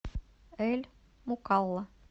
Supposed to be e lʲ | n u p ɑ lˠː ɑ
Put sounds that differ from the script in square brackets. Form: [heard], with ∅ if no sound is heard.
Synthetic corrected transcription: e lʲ | [m] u [k] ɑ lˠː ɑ